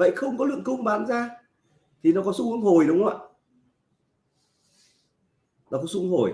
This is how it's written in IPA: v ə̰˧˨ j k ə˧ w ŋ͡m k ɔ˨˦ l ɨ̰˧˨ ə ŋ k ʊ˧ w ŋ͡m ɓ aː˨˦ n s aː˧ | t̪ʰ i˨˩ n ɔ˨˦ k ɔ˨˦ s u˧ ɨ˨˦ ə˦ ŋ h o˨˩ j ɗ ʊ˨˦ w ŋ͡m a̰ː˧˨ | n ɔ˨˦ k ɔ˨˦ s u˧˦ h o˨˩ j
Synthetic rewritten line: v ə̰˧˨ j x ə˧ w ŋ͡m k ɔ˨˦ l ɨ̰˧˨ ə ŋ k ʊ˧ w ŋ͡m ɓ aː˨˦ n z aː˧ | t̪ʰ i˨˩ n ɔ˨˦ k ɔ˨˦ s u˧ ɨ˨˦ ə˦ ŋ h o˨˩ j ɗ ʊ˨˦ w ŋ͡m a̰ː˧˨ | n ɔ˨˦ k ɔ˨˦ s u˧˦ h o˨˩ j